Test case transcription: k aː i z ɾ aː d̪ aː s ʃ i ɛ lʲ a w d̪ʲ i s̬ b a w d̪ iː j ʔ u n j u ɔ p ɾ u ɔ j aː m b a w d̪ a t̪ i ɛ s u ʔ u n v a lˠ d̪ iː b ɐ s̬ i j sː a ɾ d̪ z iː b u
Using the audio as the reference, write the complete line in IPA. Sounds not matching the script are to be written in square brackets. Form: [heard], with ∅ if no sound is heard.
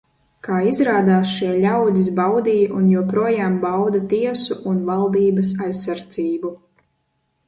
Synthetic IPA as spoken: k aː i z ɾ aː d̪ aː s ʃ i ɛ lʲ a w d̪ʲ i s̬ b a w d̪ iː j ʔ u n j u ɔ p ɾ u ɔ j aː m b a w d̪ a t̪ i ɛ s u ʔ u n v a lˠ d̪ iː b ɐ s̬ [a] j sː a ɾ d̪ z iː b u